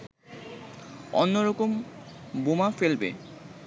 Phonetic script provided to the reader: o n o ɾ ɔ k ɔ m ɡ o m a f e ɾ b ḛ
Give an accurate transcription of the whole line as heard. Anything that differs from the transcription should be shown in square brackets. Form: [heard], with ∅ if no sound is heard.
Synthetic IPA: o [nː] o ɾ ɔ k [o] m [b] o m a f e [l] b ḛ